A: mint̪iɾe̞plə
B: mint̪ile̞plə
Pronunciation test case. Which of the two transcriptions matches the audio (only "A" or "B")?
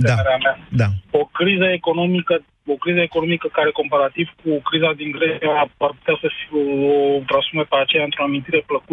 A